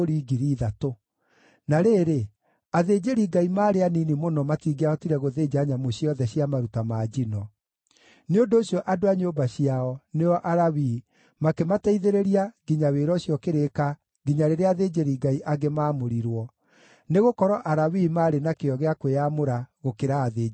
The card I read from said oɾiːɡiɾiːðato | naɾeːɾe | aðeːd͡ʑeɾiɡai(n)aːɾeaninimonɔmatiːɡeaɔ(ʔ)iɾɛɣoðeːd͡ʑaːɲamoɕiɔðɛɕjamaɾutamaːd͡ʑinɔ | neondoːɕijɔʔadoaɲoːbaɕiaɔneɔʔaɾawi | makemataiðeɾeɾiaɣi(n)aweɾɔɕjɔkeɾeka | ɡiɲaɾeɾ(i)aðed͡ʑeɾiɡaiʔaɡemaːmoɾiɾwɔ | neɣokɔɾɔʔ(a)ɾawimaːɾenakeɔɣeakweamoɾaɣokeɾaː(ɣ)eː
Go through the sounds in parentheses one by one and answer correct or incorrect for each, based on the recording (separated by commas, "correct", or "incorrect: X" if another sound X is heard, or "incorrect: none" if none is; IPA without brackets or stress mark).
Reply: incorrect: m, incorrect: t, incorrect: ɲ, incorrect: e, correct, incorrect: ð